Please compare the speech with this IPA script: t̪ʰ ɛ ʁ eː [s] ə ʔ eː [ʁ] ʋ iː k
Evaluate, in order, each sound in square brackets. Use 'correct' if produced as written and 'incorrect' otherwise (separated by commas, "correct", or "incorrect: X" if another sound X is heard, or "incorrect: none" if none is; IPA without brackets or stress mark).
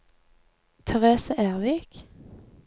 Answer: correct, correct